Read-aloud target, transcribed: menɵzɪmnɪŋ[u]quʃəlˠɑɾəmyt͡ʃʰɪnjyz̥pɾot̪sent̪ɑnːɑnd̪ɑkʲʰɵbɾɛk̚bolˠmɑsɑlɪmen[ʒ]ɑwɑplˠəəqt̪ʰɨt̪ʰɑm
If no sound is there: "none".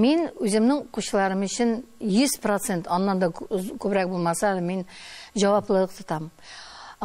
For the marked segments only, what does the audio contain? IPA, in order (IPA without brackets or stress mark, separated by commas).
o, ʒ